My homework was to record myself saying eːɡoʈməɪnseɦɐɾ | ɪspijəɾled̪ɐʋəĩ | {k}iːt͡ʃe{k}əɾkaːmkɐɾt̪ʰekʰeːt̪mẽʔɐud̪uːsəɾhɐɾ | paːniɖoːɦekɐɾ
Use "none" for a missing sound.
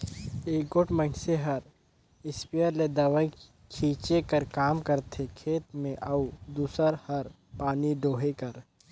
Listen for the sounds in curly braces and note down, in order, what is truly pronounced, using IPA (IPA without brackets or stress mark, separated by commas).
kʰ, k